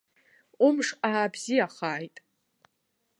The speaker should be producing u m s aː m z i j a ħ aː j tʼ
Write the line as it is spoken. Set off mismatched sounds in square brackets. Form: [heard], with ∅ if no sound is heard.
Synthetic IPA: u m [ʂ] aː [b] z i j a [χ] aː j tʼ